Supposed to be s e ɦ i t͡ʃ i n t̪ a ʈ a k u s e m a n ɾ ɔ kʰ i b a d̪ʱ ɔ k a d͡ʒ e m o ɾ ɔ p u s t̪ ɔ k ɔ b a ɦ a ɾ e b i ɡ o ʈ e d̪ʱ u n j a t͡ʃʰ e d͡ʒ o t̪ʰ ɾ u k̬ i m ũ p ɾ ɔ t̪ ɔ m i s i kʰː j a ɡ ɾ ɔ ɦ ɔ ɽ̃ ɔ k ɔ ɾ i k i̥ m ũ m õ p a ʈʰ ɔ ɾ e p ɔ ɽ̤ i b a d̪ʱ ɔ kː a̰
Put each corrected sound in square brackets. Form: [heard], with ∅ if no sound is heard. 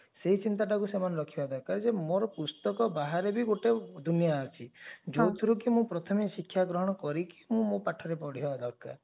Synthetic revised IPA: s e ɦ i t͡ʃ i n t̪ a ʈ a k u s e m a n ɾ ɔ kʰ i b a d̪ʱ ɔ k a d͡ʒ e m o ɾ ɔ p u s t̪ ɔ k ɔ b a ɦ a ɾ e b i ɡ o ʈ e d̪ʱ u n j a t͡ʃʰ [i] d͡ʒ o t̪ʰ ɾ u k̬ i m ũ p ɾ ɔ [t̪ʰ] ɔ m i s i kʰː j a ɡ ɾ ɔ ɦ ɔ ɽ̃ ɔ k ɔ ɾ i k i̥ m ũ m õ p a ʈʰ ɔ ɾ e p ɔ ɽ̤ i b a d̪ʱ ɔ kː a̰